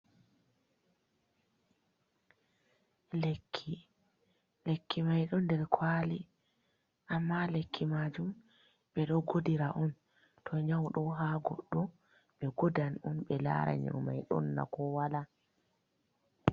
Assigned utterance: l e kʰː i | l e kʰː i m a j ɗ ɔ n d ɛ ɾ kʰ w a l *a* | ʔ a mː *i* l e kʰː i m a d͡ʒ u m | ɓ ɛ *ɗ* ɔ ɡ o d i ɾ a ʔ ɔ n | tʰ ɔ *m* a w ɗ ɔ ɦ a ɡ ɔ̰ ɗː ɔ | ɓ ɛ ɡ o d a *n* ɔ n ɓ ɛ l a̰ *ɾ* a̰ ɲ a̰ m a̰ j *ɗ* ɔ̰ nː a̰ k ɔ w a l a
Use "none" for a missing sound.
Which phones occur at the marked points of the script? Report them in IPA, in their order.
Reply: i, a, ɗ, ɲ, n, ɾ, ɗ

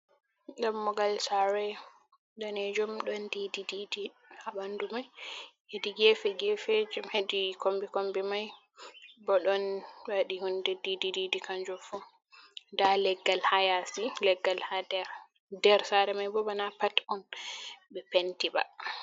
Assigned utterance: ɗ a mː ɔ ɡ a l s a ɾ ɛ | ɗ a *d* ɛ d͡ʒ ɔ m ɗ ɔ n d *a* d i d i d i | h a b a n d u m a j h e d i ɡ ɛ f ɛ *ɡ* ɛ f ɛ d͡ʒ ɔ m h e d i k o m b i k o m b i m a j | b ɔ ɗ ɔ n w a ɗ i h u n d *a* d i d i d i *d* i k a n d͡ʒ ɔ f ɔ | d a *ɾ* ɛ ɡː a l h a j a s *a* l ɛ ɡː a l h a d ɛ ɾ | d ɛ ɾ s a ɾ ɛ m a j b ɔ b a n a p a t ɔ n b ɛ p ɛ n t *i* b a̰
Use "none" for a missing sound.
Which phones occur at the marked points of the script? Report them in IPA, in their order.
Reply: n, i, ɡ, ɛ, d, l, i, i

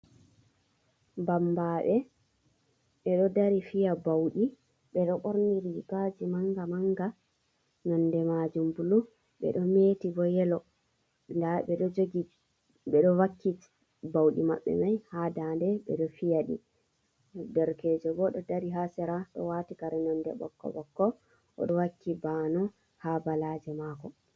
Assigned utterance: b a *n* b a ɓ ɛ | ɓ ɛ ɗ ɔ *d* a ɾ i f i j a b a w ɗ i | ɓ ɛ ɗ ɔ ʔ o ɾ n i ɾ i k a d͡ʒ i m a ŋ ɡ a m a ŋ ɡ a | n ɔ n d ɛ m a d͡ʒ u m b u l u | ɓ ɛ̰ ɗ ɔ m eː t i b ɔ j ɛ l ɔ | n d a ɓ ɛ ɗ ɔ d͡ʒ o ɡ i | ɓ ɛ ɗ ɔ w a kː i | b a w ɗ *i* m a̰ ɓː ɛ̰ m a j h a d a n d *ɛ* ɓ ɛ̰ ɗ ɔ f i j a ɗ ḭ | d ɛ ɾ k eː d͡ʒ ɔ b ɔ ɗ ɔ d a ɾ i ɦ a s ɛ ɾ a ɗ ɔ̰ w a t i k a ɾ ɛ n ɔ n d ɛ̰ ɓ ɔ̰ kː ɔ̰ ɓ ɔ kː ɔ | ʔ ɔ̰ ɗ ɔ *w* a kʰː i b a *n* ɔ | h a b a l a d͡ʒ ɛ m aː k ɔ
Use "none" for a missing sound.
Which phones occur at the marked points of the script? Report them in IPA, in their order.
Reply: m, d, i, ɛ, w, n

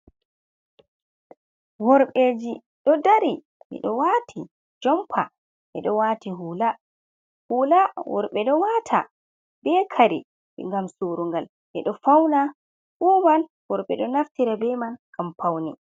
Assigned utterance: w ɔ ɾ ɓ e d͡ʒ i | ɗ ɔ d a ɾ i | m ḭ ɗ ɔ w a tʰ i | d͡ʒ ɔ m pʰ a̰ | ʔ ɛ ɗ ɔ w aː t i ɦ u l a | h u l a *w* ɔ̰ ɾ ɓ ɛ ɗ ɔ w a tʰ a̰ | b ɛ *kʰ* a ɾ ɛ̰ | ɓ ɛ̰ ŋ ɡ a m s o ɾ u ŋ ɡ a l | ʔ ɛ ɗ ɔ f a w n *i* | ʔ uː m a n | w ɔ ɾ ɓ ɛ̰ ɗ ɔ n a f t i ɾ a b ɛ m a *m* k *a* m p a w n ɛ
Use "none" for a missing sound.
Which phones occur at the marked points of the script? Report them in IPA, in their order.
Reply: w, kʰ, a, n, a

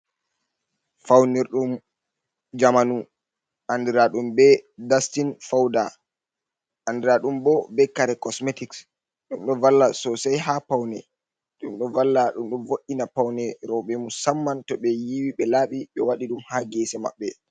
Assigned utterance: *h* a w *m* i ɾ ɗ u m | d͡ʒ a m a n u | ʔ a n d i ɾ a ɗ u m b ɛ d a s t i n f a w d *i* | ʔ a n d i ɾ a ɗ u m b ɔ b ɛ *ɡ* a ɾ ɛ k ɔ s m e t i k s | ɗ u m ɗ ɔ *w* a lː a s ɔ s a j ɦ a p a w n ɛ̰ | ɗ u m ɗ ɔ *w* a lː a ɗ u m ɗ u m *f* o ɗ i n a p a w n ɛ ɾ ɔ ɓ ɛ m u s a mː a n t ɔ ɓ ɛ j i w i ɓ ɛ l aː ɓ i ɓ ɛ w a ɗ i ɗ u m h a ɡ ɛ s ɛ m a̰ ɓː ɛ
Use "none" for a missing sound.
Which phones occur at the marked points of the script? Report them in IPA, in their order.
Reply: f, n, a, k, v, v, v

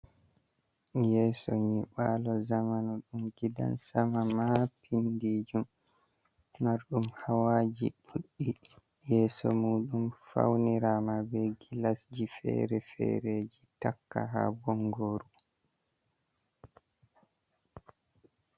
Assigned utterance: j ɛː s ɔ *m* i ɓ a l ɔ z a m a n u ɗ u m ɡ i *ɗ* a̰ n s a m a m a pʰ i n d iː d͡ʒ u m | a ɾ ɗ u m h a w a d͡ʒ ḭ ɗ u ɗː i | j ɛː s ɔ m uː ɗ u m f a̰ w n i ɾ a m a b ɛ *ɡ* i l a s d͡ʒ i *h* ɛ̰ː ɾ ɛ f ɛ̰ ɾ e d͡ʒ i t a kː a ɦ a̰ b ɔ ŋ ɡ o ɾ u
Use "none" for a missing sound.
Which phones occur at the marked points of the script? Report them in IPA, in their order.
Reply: ɲ, d, ɡ, f

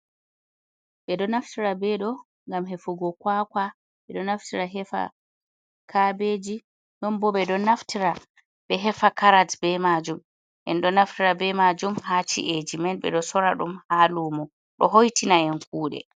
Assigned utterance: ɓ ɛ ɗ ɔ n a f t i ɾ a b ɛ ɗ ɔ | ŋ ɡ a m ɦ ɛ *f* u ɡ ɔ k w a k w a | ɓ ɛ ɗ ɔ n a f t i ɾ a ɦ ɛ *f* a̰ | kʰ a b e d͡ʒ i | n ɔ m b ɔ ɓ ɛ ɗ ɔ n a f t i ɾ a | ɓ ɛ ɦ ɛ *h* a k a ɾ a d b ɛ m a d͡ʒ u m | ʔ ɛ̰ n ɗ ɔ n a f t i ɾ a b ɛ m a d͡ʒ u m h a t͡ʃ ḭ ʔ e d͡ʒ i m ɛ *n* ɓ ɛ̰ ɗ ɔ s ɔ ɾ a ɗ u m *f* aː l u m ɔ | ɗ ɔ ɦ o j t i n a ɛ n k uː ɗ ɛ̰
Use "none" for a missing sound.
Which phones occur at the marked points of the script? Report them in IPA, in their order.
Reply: f, f, f, n, h

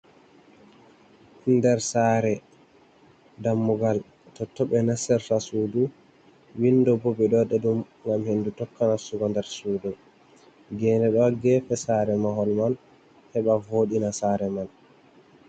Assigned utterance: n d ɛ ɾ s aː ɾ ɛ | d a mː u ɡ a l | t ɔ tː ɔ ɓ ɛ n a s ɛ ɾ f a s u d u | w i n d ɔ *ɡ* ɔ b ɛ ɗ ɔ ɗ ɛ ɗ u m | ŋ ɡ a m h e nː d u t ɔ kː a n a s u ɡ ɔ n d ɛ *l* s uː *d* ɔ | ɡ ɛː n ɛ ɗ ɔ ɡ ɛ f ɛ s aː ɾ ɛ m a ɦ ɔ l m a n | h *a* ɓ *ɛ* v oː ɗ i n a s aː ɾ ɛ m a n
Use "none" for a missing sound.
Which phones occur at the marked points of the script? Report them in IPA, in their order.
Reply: b, ɾ, d, ɛ, a

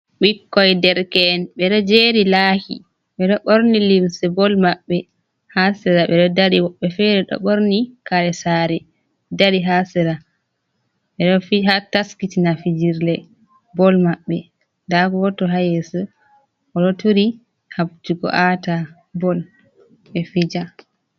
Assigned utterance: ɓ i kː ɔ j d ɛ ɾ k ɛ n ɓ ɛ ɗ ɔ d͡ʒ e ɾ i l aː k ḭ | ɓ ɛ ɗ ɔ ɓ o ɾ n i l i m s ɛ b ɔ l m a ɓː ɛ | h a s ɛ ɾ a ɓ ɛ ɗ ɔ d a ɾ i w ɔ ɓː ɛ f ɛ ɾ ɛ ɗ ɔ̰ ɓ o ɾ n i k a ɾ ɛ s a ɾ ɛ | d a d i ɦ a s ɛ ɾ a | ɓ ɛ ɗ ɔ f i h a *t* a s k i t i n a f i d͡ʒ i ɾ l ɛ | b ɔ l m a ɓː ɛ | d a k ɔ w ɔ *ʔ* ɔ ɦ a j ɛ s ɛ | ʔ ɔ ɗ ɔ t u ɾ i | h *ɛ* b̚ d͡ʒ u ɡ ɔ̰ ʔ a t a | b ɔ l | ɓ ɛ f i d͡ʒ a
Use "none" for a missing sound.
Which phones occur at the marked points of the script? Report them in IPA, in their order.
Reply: t, t, a

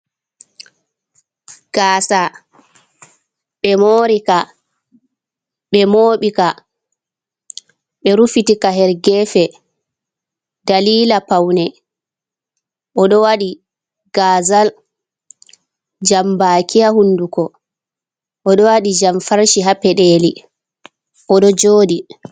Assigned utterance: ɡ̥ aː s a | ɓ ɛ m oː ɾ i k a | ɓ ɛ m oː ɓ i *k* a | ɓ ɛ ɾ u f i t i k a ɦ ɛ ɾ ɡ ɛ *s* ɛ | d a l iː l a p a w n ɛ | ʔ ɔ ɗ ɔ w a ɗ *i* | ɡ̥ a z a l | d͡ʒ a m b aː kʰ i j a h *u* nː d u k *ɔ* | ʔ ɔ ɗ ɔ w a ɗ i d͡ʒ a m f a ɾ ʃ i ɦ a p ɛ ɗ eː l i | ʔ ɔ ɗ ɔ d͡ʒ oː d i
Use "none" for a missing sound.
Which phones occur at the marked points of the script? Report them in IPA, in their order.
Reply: k, f, i, u, ɔ

